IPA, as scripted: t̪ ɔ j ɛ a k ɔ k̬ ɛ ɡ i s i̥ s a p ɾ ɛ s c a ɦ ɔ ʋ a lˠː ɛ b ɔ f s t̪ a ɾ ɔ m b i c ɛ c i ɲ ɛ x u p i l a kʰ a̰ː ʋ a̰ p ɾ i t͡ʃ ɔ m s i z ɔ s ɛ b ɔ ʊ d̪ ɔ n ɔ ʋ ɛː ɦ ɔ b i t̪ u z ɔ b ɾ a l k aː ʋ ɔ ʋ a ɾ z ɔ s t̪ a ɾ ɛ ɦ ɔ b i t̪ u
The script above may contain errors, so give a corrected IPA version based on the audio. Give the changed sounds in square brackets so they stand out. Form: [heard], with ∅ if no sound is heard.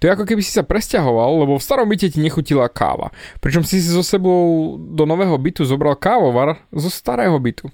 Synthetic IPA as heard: t̪ ɔ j ɛ a k ɔ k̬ ɛ [b] i s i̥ s a p ɾ ɛ s c a ɦ ɔ ʋ a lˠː ɛ b ɔ f s t̪ a ɾ ɔ m b i c ɛ c i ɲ ɛ x u [c] i l a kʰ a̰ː ʋ a̰ p ɾ i t͡ʃ ɔ m s i z ɔ s ɛ b ɔ ʊ d̪ ɔ n ɔ ʋ ɛː ɦ ɔ b i t̪ u z ɔ b ɾ a l k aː ʋ ɔ ʋ a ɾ z ɔ s t̪ a ɾ [ɛː] ɦ ɔ b i t̪ u